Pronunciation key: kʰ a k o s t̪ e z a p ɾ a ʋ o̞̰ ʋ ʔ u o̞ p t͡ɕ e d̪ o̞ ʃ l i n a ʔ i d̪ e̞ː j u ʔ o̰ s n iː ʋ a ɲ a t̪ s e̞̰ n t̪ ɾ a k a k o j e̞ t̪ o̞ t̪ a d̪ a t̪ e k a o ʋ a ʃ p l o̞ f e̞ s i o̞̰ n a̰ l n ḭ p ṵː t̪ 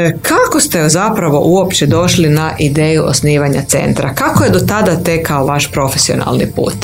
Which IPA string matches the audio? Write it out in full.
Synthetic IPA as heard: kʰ a k o s t̪ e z a p ɾ a ʋ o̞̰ ʔ u o̞ p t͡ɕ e d̪ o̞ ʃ l i n a ʔ i d̪ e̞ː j u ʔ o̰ s n iː ʋ a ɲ a t̪ s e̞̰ n t̪ ɾ a k a k o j e̞ d̪ o̞ t̪ a d̪ a t̪ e k a o ʋ a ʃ p ɾ o̞ f e̞ s i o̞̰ n a̰ l n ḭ p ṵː t̪